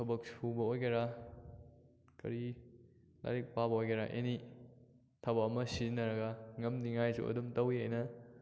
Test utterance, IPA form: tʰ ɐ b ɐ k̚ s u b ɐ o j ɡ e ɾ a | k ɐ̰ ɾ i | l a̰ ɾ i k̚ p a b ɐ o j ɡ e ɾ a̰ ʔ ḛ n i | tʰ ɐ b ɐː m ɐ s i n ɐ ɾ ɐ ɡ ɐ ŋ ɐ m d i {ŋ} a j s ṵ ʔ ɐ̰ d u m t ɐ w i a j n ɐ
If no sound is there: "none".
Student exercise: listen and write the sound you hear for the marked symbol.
ŋ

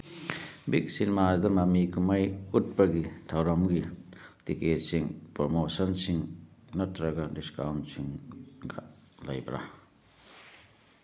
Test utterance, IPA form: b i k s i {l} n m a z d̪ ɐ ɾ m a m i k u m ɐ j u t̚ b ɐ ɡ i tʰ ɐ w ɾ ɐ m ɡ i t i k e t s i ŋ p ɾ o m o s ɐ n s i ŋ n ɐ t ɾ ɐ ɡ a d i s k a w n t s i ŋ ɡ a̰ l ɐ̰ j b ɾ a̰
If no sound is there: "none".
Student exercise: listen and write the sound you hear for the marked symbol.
none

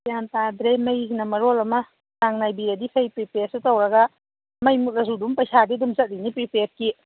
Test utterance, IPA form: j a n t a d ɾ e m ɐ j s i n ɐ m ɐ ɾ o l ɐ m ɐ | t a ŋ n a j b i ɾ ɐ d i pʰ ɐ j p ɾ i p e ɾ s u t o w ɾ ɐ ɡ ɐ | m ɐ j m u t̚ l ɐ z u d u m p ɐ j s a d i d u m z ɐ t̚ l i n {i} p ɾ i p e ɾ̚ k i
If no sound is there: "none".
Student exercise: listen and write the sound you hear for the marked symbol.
i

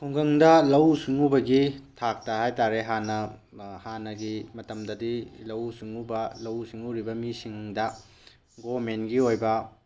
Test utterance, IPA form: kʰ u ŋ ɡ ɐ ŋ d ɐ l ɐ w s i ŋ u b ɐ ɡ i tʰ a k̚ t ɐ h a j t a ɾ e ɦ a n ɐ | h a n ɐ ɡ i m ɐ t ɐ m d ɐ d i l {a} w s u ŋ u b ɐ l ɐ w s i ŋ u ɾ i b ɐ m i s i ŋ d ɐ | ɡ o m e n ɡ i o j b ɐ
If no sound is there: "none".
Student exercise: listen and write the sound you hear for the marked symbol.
ɐ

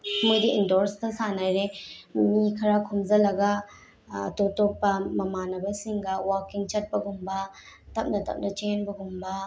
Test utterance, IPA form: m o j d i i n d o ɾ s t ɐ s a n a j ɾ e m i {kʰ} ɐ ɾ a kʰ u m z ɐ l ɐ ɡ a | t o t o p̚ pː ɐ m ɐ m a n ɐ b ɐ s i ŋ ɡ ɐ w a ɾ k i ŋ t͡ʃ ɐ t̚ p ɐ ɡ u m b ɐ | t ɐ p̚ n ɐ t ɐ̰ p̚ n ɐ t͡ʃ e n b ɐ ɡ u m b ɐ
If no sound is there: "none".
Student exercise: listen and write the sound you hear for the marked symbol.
kʰ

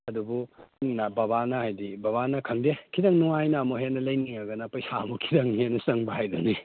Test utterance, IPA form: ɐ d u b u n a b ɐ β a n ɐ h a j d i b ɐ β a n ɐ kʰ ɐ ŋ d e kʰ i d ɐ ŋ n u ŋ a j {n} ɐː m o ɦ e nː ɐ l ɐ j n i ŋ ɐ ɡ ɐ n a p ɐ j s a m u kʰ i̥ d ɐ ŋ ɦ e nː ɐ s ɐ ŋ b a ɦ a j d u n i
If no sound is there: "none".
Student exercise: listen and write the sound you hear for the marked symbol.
n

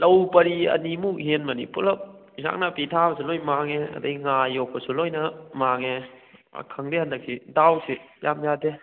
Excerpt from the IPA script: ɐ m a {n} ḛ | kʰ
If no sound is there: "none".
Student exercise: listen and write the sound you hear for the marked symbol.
ŋ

